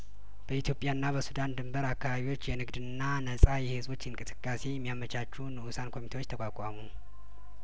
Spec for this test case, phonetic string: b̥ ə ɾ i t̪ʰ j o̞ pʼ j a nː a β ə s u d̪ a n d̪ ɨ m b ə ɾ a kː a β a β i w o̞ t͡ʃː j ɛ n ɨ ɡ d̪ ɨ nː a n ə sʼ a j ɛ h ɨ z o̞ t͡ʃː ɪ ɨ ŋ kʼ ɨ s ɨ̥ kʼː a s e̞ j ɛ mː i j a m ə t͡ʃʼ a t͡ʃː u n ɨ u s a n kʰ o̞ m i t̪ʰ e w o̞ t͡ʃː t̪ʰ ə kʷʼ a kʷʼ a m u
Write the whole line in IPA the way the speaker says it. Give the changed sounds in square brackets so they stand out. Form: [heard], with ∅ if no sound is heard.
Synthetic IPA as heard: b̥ ə [∅] i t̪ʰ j o̞ pʼ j a nː a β ə s u d̪ a n d̪ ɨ m b ə ɾ a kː a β a β i w o̞ t͡ʃː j ɛ n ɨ ɡ d̪ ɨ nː a n ə sʼ a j ɛ h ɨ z o̞ t͡ʃː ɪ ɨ ŋ kʼ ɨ s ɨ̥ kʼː a s e̞ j ɛ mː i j a m ə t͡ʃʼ a t͡ʃː u n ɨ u s a n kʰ o̞ m i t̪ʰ e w o̞ t͡ʃː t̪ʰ ə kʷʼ a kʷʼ a m u